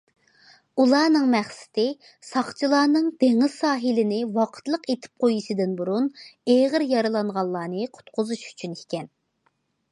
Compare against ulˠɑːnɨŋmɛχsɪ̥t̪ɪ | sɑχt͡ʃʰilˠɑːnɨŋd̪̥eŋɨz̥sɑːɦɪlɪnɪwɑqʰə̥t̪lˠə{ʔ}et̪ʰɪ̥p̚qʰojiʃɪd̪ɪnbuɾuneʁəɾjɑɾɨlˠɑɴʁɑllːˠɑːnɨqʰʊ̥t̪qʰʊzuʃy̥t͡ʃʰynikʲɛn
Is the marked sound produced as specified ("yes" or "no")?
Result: no